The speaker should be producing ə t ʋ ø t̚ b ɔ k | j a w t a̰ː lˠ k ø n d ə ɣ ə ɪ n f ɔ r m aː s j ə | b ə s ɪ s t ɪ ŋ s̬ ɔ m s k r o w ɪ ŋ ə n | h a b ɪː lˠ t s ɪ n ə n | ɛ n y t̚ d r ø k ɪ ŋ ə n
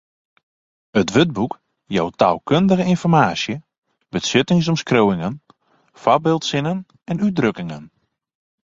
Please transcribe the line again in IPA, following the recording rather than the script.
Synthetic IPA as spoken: ə t ʋ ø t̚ b u k | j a w t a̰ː lˠ k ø n d ə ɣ ə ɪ n f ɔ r m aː s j ə | b ə s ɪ t ɪ ŋ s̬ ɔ m s k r o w ɪ ŋ ə n | f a b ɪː lˠ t s ɪ n ə n | ɛ n y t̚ d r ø k ɪ ŋ ə n